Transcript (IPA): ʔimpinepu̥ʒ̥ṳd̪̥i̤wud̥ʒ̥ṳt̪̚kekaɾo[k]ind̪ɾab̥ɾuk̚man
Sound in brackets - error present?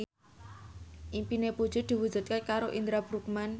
yes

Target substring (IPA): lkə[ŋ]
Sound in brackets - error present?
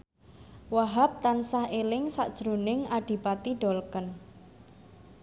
yes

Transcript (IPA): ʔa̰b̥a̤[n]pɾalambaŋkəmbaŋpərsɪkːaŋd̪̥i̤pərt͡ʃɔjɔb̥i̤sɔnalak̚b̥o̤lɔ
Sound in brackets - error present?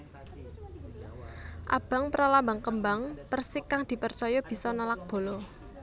yes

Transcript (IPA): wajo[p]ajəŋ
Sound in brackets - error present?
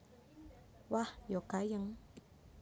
yes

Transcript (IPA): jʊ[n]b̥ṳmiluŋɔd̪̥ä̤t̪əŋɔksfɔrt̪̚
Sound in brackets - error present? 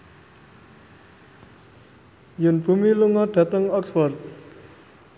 no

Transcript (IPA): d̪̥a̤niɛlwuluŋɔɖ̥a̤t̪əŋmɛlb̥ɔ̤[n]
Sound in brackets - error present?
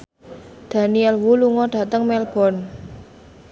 no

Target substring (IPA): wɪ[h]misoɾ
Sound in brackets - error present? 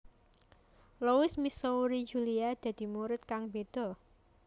yes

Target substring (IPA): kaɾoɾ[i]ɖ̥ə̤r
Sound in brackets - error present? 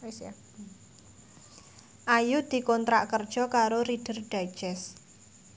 no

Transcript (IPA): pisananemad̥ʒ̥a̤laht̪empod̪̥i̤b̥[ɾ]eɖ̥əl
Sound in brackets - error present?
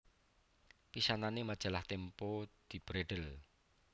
no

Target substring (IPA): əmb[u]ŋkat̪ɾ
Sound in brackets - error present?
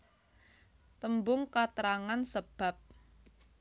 yes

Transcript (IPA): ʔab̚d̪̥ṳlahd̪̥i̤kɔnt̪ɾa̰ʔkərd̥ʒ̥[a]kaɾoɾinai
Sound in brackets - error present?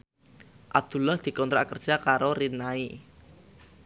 no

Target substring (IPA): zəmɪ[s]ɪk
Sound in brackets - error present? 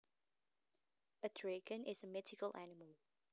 yes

